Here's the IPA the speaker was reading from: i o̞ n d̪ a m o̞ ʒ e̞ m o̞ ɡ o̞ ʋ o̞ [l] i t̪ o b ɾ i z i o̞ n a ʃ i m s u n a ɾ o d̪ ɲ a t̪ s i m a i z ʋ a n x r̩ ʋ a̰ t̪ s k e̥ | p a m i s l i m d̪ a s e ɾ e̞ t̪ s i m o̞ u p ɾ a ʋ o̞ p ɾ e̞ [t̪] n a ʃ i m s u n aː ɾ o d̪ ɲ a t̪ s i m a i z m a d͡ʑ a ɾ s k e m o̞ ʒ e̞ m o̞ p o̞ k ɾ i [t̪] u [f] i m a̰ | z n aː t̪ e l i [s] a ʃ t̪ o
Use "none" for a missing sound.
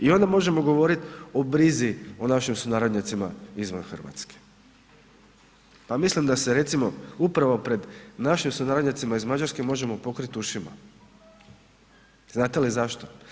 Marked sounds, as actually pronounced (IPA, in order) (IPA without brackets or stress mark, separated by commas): ɾ, d̪, t̪, ʃ, z